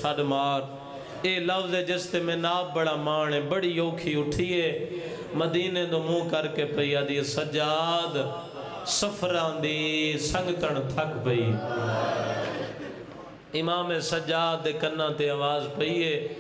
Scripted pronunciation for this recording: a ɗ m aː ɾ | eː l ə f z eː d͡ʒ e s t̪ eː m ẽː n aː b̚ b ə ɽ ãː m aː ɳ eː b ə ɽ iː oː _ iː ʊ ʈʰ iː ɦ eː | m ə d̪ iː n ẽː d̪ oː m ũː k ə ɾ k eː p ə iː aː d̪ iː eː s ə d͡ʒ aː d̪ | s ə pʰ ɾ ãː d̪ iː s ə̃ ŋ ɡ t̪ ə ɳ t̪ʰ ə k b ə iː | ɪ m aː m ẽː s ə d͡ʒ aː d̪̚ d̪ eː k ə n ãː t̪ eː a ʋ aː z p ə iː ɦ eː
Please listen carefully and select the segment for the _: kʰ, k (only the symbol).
kʰ